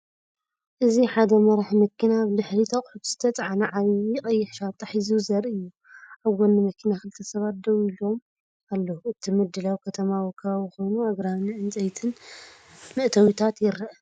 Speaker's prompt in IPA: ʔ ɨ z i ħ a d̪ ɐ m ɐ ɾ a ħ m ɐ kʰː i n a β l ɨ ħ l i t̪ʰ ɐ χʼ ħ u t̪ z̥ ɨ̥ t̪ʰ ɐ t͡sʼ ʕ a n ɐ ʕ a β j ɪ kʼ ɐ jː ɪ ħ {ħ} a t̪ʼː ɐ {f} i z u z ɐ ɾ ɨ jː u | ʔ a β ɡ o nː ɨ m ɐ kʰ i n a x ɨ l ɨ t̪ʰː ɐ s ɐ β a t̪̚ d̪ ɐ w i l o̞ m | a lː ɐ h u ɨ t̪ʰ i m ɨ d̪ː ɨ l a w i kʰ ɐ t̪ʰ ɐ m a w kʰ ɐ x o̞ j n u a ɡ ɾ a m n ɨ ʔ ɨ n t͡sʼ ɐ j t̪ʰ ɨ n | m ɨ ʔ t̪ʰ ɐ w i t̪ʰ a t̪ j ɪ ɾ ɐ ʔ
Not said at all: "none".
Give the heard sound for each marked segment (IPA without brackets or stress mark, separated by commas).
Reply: ʃ, ħ